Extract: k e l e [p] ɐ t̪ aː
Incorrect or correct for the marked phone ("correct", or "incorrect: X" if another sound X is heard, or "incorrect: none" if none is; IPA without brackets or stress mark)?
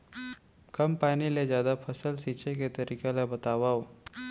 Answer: incorrect: b